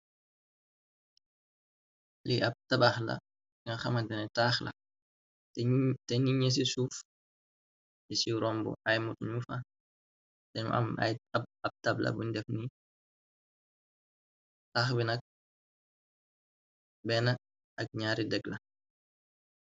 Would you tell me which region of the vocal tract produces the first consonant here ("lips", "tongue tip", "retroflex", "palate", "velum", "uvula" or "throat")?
tongue tip